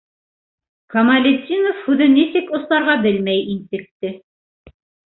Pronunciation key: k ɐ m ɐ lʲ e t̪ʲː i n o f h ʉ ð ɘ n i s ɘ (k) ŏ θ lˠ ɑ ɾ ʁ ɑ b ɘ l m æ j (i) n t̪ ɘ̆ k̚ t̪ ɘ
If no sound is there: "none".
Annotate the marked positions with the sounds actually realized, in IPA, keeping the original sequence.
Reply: k, i

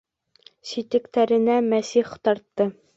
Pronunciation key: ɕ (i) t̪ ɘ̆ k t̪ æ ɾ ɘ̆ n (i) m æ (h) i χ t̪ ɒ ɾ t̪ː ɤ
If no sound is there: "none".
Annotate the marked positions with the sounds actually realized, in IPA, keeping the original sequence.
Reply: i, æ, s

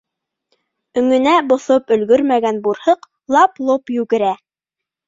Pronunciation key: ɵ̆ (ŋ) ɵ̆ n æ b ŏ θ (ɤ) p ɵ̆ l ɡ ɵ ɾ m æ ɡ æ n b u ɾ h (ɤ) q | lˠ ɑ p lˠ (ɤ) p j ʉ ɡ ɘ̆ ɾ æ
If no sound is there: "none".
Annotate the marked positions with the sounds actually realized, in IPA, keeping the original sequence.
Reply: ŋ, o, ɤ, o

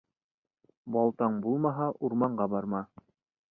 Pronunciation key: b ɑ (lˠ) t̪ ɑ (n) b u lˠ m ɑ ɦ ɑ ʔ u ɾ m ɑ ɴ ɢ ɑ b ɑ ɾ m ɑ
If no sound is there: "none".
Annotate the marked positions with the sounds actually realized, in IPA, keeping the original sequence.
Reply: lˠ, ɴ

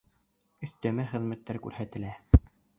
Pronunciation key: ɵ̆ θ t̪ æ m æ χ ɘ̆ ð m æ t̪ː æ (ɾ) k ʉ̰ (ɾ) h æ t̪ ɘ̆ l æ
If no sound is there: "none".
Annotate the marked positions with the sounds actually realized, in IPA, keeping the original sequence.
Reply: ɾ, ɾ

